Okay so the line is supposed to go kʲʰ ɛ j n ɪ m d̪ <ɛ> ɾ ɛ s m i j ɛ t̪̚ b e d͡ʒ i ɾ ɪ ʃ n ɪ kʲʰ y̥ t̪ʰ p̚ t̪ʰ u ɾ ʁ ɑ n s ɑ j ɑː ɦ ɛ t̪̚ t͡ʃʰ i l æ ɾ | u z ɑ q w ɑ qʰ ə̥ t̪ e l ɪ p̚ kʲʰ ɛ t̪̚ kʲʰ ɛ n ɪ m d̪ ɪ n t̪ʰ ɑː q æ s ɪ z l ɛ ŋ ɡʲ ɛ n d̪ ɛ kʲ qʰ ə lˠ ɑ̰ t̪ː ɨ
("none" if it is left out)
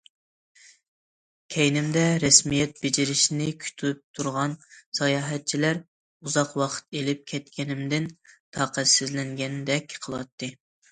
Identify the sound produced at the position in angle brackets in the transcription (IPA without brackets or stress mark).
ɛ